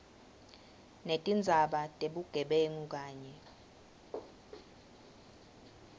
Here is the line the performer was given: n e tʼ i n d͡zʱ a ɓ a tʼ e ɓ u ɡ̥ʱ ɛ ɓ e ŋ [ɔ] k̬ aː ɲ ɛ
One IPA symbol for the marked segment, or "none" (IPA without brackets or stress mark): u